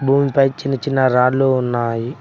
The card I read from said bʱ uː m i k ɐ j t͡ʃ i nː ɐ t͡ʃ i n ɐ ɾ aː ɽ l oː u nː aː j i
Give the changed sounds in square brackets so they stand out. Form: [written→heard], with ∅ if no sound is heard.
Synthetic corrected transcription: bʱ uː m i [k→p] ɐ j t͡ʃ i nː ɐ t͡ʃ i [n→nː] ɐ ɾ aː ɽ l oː u nː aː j i

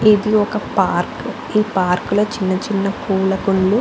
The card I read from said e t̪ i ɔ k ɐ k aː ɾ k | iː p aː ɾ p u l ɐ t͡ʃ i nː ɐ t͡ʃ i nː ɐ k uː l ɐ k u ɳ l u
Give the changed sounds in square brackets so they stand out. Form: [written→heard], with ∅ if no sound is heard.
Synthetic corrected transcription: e [t̪→d̪] i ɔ k ɐ [k→p] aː ɾ k | iː p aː ɾ [p→k] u l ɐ t͡ʃ i nː ɐ t͡ʃ i nː ɐ k uː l ɐ k u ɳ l u

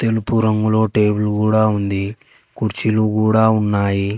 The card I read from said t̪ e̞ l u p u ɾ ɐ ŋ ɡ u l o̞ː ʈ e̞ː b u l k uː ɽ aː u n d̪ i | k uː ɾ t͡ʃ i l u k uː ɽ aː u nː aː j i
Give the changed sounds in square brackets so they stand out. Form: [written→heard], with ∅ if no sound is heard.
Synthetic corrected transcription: t̪ e̞ l u p u ɾ ɐ ŋ ɡ u l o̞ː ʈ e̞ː b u l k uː ɽ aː u n d̪ i | k [uː→u] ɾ t͡ʃ i l u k uː ɽ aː u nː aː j i

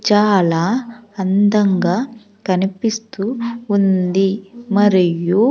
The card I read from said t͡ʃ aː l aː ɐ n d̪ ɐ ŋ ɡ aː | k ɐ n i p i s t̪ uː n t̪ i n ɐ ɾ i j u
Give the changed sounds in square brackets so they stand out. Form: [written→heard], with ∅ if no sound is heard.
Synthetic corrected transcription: t͡ʃ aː l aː ɐ n d̪ ɐ ŋ ɡ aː | k ɐ n i p i s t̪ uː n [t̪→d̪] i [n→m] ɐ ɾ i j u

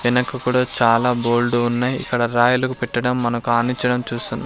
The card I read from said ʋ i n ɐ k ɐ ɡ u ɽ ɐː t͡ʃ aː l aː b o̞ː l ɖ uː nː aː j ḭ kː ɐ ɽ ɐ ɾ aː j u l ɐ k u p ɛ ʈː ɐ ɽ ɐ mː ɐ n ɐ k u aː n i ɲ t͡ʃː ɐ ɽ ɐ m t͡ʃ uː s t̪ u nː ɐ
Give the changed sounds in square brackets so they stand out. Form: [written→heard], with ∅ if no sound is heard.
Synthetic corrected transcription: ʋ i n ɐ k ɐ [ɡ→k] u ɽ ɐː t͡ʃ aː l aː b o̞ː l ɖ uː nː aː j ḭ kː ɐ ɽ ɐ ɾ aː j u l ɐ k u p ɛ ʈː ɐ ɽ ɐ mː ɐ n ɐ k u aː n i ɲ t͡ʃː ɐ ɽ ɐ m t͡ʃ uː s t̪ u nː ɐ

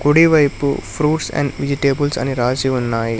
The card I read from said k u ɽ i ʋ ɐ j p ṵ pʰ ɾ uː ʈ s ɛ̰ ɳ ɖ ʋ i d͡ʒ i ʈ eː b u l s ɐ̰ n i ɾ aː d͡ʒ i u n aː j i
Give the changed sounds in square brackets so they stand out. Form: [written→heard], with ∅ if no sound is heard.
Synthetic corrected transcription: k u ɽ i ʋ ɐ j p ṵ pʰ ɾ uː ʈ s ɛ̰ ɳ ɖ ʋ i d͡ʒ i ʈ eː b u l s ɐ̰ n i ɾ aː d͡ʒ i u [n→nː] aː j i

